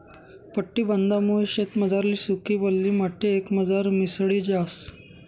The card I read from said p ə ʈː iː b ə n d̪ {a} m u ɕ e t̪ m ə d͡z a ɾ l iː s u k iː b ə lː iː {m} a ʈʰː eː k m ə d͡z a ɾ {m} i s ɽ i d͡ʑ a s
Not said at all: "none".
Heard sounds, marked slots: a, m, m

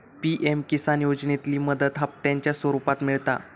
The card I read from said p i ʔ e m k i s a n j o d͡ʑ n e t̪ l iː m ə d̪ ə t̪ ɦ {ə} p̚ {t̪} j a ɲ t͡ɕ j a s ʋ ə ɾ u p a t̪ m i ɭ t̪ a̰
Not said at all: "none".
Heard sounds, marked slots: a, t̪

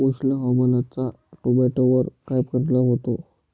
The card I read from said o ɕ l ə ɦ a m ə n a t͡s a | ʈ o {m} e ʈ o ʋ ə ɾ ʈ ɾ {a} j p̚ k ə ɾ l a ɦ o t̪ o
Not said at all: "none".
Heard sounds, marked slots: b, a

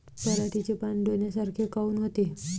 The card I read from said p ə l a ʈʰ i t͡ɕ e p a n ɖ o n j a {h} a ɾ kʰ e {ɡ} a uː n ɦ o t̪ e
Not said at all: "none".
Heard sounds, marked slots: s, k

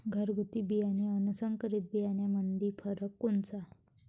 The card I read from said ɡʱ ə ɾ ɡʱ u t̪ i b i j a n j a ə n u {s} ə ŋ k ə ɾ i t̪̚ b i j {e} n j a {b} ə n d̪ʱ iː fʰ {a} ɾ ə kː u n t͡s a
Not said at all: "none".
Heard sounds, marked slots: s, a, m, ə

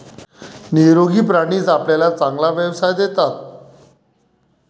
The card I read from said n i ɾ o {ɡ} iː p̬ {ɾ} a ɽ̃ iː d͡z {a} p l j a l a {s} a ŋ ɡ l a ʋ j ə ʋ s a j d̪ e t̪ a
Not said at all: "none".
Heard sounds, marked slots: ɡ, ɾ, a, t͡s

